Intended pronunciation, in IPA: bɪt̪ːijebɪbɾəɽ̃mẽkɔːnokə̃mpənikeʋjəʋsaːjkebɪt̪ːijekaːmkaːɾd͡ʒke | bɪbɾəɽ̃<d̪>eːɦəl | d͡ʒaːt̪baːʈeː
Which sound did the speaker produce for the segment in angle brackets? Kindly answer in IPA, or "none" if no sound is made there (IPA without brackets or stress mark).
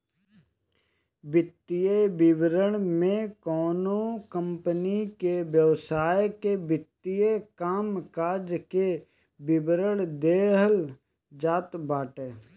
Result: d̪